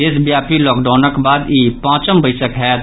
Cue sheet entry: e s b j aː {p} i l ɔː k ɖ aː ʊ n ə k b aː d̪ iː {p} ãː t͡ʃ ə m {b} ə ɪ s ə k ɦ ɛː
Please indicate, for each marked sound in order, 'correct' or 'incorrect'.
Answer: correct, correct, correct

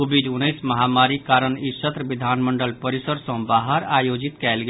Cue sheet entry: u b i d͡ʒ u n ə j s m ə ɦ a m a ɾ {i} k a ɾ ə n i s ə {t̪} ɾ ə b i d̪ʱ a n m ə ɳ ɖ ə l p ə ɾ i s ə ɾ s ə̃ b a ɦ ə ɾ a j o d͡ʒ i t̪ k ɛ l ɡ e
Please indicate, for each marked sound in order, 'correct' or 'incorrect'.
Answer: correct, correct

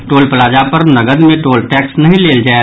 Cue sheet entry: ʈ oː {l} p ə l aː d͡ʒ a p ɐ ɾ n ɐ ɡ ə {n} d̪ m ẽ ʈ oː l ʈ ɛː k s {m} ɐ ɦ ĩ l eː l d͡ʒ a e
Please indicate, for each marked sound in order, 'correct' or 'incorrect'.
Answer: correct, incorrect, incorrect

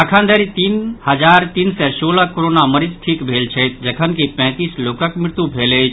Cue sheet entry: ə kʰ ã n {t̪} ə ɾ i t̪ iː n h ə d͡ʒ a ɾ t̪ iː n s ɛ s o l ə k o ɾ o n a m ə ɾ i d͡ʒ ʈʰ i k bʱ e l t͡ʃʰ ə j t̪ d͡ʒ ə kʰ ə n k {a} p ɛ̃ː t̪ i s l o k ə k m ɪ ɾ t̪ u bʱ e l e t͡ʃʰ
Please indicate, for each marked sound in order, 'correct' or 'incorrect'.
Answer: incorrect, incorrect

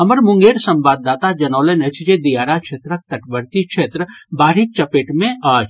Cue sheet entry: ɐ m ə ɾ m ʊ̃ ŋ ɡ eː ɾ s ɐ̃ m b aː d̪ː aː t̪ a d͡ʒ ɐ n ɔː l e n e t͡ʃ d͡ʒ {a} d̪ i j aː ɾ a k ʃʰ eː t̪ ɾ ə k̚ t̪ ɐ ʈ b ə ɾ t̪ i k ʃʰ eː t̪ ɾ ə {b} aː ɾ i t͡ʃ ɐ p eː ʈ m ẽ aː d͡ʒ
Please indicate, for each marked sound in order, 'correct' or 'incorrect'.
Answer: incorrect, correct

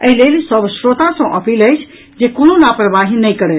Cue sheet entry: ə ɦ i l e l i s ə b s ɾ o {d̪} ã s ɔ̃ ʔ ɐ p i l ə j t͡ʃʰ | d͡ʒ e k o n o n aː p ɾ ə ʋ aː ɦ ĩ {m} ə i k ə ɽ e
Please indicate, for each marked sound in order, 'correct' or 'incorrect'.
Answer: incorrect, incorrect

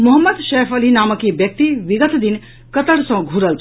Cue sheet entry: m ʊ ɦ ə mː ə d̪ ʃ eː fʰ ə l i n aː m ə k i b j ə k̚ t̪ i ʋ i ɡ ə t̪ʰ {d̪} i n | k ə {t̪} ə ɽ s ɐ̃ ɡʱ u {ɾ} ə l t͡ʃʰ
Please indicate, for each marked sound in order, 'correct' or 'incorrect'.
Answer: correct, correct, correct

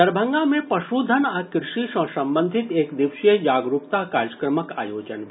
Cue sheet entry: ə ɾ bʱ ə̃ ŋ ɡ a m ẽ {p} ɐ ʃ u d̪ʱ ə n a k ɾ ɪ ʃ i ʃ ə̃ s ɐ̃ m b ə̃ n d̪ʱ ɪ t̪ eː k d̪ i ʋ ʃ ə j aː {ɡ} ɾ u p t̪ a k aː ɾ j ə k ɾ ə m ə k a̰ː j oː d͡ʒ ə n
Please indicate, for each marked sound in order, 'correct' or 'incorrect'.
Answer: correct, correct

